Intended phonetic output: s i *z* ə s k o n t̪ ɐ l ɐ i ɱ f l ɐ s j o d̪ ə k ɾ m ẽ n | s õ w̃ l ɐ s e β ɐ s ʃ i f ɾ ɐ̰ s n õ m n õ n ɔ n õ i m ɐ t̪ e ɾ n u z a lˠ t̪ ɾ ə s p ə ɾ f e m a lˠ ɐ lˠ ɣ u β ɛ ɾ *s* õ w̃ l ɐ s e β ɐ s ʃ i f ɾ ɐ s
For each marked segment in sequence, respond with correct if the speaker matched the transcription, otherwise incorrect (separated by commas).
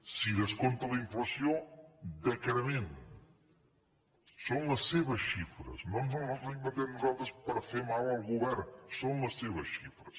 incorrect, correct